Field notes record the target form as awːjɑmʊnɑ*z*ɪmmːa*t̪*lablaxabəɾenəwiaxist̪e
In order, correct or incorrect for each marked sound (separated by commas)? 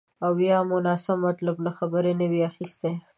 incorrect, correct